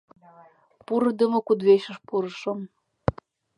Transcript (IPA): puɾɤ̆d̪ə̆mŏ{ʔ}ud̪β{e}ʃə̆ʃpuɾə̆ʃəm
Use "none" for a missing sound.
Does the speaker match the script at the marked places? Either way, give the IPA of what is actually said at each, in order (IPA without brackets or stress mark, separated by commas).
k, e